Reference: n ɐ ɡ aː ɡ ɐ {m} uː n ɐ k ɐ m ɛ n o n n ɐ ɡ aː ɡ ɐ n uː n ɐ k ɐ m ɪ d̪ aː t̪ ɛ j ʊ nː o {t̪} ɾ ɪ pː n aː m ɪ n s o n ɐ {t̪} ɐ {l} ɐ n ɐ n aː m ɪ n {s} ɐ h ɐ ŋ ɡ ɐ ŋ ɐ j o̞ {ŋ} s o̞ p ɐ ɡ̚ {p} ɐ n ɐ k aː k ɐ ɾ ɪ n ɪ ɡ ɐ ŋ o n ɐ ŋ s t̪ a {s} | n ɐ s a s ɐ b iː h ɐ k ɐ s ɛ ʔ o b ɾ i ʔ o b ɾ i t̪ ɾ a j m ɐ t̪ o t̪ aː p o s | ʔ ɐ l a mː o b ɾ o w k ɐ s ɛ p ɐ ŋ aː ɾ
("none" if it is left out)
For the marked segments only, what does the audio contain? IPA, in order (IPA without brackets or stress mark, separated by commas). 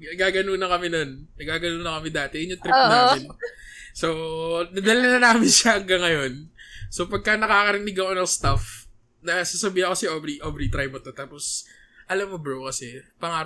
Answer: n, t̪, d̪, l, ʃ, n, k, f